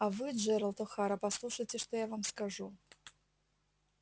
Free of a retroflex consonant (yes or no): no